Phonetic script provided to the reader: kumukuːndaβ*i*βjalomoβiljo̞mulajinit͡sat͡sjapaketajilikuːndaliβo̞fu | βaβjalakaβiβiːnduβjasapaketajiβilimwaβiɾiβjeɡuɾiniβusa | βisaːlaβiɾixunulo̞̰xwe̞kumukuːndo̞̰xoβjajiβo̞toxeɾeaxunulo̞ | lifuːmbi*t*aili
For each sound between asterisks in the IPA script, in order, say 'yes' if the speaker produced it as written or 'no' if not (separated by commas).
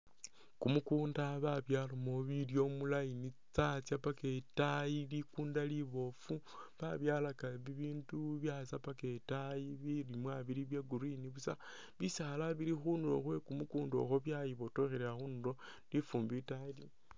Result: no, yes